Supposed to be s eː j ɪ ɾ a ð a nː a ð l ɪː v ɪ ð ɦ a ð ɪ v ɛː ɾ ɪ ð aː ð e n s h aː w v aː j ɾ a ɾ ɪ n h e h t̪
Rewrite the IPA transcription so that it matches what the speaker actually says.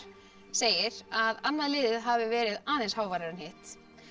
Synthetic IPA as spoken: s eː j ɪ ɾ a ð a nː a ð l ɪː ð ɪ ð ɦ a v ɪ v ɛː ɾ ɪ ð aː ð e n s h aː w v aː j ɾ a ɾ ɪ n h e h t̪